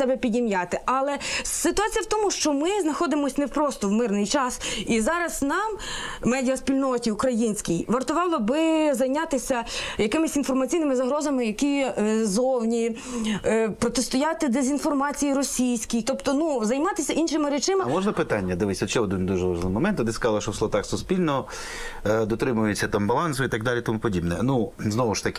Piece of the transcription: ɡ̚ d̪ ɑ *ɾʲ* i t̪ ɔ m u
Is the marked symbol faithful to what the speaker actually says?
no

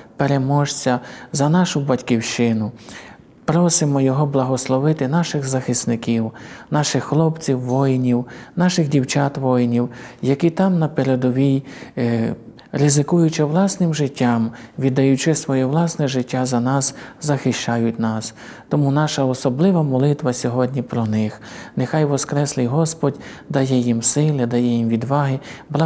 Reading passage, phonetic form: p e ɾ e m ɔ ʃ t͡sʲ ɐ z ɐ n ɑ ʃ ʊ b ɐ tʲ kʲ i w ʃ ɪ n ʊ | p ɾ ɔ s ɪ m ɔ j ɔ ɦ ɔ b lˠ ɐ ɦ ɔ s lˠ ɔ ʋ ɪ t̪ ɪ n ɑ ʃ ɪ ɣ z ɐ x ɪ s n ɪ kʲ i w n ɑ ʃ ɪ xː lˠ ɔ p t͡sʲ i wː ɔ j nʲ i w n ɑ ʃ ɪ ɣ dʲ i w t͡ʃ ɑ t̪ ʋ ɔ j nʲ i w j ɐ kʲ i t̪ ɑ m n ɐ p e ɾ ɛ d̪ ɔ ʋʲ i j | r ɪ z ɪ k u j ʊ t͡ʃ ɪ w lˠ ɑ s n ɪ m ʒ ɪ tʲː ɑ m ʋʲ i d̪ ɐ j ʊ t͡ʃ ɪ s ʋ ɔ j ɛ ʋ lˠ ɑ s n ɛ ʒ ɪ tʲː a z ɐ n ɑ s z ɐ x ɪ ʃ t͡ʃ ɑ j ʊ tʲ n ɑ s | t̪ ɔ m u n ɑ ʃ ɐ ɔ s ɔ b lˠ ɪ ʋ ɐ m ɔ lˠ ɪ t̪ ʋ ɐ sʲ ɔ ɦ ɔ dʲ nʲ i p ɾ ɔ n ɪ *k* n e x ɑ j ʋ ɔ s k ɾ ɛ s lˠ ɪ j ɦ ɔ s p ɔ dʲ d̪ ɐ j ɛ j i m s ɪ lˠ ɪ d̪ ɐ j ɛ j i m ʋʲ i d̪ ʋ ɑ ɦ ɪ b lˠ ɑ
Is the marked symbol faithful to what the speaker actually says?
no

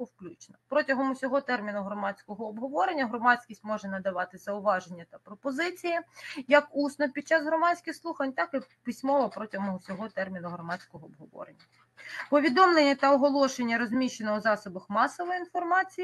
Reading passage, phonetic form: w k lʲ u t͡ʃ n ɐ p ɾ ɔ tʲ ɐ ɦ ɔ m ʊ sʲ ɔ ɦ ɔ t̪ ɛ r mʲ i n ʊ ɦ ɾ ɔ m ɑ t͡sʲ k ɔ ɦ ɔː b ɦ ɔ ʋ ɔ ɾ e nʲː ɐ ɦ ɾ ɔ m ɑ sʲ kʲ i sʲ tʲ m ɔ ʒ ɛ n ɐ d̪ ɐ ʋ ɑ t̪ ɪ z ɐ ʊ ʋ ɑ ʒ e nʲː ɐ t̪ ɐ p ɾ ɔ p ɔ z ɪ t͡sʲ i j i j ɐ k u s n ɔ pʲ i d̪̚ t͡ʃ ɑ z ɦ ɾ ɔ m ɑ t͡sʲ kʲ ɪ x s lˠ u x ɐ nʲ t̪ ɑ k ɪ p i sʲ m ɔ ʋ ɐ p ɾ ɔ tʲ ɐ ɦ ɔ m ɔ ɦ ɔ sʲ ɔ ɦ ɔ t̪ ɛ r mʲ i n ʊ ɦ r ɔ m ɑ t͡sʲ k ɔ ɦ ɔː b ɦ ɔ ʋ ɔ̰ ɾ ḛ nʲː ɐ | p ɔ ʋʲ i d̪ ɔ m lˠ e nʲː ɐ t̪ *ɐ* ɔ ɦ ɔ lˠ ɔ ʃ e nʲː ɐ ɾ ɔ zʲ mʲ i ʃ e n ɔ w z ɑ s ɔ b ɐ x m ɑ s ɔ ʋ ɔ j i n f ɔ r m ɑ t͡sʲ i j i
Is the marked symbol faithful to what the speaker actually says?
yes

